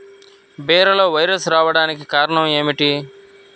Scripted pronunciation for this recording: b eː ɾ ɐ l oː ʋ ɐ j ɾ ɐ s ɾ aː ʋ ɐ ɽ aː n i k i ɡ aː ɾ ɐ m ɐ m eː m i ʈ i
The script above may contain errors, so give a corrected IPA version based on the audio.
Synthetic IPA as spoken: b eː ɾ ɐ l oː ʋ ɐ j ɾ ɐ s ɾ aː ʋ ɐ ɽ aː n i k i k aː ɾ ɐ ɳ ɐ m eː m i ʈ i